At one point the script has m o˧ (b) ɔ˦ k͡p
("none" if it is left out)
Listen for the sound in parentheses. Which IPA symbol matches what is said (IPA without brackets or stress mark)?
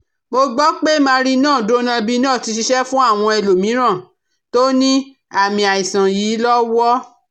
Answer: ɡ͡b